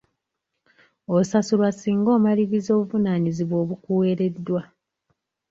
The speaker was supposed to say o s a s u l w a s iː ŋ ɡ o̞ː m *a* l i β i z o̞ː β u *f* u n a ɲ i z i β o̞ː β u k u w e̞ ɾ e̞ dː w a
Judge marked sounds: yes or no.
yes, no

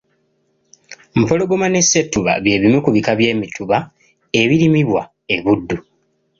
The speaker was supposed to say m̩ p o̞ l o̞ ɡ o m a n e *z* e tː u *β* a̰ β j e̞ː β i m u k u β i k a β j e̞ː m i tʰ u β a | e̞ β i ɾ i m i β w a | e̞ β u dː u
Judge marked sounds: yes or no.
no, yes

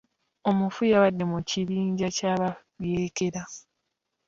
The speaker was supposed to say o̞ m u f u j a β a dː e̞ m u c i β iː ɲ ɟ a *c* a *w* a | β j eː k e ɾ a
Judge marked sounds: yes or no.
yes, no

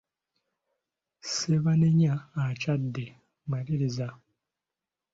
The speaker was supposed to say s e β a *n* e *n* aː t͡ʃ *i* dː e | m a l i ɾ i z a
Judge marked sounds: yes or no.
yes, no, no

